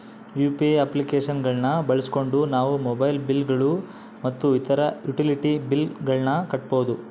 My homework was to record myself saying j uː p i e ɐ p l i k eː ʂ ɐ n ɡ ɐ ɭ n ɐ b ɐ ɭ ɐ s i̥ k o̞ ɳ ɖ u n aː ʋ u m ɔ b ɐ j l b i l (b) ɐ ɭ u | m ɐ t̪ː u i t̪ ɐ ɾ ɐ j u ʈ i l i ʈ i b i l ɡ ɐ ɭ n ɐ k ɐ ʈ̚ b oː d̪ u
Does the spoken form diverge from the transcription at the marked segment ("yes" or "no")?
yes